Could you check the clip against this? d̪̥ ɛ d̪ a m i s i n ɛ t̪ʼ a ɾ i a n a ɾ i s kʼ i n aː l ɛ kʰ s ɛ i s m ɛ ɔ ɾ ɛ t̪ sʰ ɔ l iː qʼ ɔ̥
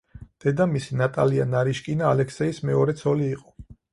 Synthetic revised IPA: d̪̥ ɛ d̪ a m i s i n a t̪ʼ a l i a n a ɾ i ʃ kʼ i n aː l ɛ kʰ s ɛ i s m ɛ ɔ ɾ ɛ t̪ sʰ ɔ l iː qʼ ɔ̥